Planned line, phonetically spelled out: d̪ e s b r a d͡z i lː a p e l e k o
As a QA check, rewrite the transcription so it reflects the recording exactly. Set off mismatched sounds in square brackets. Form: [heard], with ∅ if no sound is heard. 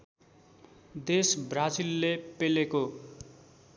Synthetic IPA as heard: d̪ e s b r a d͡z i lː [e] p e l e k o

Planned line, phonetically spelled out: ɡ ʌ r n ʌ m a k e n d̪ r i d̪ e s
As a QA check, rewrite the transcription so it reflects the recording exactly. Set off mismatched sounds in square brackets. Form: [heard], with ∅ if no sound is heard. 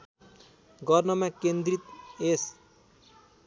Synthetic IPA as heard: ɡ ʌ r n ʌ m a k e n d̪ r i [t̪] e s

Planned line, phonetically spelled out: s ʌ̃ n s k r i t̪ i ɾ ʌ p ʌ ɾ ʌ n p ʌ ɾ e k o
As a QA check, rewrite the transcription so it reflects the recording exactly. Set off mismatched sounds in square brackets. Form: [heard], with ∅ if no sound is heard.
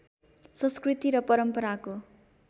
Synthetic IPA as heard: s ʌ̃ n s k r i t̪ i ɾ ʌ p ʌ ɾ ʌ [m] p ʌ ɾ [a] k o

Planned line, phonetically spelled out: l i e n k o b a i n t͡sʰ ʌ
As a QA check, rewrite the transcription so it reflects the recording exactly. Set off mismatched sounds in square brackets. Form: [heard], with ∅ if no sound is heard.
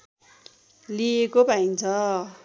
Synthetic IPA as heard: l i e [∅] k o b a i n t͡sʰ ʌ

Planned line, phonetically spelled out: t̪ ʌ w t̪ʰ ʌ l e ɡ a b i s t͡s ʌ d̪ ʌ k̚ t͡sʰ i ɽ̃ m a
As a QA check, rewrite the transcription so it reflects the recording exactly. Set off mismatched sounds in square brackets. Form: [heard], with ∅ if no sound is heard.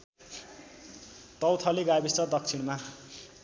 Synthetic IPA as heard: t̪ ʌ w t̪ʰ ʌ l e ɡ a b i s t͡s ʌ d̪ ʌ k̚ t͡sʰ i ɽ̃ m a

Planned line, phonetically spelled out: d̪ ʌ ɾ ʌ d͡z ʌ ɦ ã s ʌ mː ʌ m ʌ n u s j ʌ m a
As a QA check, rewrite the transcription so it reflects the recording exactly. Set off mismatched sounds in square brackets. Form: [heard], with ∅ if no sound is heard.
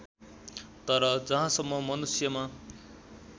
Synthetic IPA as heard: [t̪] ʌ ɾ ʌ d͡z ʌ ɦ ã s ʌ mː ʌ m ʌ n u s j ʌ m a

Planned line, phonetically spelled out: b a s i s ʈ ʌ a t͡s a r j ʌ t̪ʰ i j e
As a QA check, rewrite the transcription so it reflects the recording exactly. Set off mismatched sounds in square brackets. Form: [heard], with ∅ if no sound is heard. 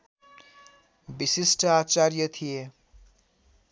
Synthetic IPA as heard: b [i] s i s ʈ ʌ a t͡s a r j ʌ t̪ʰ i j e

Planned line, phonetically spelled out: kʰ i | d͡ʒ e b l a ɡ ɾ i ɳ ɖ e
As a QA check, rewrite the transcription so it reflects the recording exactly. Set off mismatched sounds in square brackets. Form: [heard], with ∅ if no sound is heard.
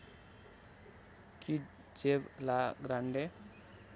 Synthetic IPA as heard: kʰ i | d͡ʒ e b l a ɡ ɾ [a] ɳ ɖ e

